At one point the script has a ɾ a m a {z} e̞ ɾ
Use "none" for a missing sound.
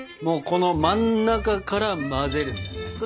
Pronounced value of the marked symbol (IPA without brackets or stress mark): z